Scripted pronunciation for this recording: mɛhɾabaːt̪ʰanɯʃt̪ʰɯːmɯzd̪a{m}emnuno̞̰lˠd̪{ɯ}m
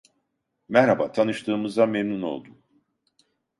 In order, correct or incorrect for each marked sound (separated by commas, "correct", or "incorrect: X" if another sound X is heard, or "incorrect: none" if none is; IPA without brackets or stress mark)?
correct, incorrect: u